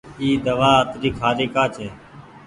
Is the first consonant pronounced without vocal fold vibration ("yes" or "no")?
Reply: no